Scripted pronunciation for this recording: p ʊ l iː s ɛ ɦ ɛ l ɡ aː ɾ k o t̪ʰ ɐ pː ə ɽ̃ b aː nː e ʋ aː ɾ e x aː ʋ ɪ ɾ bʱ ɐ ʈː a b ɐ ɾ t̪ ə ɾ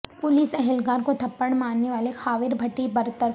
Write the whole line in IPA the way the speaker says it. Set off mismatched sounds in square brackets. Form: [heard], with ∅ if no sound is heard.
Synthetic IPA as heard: p ʊ l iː s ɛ ɦ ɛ l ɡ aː ɾ k o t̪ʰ ɐ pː ə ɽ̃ [m] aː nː e ʋ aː [l] e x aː ʋ ɪ ɾ bʱ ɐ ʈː [i] b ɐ ɾ t̪ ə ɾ